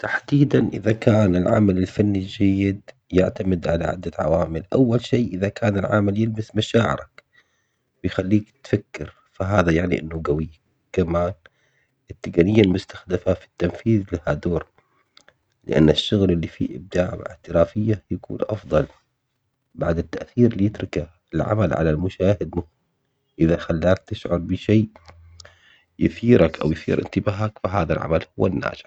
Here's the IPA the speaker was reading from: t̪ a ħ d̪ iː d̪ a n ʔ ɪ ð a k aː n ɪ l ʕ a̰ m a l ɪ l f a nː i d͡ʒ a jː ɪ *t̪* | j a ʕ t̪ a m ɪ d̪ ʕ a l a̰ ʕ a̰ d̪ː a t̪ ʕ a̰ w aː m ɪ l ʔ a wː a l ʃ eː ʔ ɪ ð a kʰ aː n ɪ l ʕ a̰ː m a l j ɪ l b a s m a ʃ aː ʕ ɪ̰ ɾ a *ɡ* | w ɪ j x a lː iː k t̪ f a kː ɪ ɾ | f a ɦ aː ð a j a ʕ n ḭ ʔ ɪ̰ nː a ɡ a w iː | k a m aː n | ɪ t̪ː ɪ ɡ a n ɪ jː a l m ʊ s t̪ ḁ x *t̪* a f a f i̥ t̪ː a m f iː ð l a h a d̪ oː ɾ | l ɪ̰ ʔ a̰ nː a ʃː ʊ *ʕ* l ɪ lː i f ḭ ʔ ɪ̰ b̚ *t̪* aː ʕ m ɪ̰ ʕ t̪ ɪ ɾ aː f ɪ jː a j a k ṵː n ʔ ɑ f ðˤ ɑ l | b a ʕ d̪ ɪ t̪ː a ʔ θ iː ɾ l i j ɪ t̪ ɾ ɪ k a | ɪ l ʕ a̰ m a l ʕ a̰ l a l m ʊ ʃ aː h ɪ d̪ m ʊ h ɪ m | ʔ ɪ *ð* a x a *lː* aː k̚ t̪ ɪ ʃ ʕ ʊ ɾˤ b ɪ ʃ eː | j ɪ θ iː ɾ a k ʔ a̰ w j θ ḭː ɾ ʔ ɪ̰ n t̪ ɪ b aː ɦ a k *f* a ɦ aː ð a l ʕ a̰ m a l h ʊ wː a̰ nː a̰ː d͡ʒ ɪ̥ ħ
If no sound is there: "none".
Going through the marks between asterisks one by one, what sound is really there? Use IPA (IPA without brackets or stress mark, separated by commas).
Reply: d̪, k, d̪, ɣ, d̪, ð, lː, f